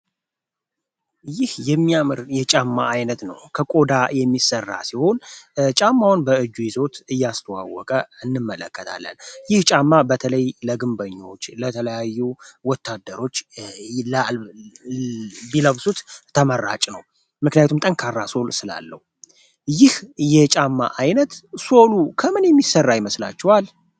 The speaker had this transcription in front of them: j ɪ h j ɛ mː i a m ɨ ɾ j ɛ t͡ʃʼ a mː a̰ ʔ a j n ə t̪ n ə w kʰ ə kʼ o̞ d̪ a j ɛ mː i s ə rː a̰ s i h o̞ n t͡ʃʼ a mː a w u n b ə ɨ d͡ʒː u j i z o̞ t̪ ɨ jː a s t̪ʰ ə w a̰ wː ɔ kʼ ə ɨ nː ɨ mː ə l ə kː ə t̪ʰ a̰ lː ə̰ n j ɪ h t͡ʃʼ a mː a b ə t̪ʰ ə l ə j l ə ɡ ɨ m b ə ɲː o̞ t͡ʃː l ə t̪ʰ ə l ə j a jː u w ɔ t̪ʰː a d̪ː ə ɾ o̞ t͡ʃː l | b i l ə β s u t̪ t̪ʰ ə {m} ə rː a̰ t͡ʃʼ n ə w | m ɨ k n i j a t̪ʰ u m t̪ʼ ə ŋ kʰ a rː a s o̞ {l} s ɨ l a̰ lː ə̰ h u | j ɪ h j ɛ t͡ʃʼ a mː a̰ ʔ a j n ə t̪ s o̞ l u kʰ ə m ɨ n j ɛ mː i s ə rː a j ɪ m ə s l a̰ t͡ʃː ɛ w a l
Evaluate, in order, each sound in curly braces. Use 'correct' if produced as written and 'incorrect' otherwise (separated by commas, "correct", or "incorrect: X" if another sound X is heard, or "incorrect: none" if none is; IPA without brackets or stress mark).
correct, correct